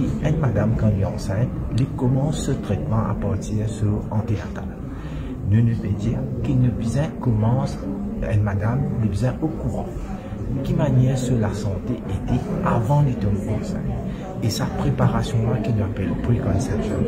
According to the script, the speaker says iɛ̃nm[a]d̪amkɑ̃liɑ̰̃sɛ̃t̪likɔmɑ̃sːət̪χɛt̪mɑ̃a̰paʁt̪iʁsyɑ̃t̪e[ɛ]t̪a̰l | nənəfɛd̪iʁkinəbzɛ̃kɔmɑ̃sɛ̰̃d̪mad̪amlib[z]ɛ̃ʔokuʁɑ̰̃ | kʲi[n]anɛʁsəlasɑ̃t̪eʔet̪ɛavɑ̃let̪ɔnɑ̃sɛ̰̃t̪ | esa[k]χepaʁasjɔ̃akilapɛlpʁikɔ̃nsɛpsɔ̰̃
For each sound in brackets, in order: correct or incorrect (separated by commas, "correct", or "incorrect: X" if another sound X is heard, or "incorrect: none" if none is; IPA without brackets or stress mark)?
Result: correct, incorrect: a, correct, incorrect: m, incorrect: p